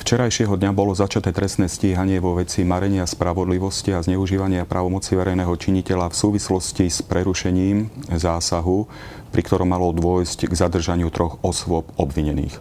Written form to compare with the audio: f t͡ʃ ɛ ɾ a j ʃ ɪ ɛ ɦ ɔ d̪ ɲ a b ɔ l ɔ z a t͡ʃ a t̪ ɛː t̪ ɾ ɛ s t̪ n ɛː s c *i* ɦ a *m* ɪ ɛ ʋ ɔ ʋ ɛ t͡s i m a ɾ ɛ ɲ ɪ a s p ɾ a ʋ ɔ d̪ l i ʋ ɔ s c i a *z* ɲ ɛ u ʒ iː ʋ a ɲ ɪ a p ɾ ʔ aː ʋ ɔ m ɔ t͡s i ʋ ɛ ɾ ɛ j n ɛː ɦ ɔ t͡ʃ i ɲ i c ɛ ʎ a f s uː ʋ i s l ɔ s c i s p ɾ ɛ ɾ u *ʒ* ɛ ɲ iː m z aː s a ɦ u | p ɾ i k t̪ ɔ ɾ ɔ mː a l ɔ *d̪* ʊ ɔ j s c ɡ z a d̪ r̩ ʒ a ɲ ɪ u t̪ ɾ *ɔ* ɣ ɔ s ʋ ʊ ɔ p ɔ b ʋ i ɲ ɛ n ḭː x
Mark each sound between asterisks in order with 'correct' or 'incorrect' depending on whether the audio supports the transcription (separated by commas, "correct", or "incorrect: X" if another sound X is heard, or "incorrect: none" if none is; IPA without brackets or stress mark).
incorrect: iː, incorrect: ɲ, correct, incorrect: ʃ, correct, correct